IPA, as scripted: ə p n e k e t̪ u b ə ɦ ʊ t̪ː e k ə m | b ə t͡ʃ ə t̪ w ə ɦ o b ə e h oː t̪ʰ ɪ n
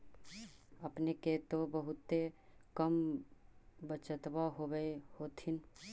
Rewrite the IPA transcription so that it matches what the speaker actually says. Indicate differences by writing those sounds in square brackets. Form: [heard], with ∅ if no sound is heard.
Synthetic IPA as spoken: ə p n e k e t̪ [o] b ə ɦ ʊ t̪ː e k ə m | b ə t͡ʃ ə t̪ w [a] ɦ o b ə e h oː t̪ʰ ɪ n